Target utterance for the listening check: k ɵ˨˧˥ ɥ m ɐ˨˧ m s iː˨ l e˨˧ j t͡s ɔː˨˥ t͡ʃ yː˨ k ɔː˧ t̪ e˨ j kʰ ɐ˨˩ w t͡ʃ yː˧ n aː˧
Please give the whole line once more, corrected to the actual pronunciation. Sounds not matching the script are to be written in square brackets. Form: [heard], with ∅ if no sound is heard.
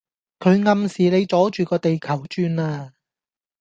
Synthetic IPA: [kʰ] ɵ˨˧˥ ɥ [ŋ] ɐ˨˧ m s iː˨ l e˨˧ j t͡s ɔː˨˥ t͡ʃ yː˨ k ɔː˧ t̪ e˨ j kʰ ɐ˨˩ w t͡ʃ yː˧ n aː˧